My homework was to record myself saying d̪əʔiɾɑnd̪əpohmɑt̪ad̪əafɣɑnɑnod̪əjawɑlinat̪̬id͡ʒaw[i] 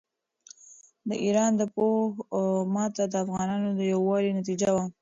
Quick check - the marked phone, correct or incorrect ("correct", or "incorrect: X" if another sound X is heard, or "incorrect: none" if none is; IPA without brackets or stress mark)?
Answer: incorrect: a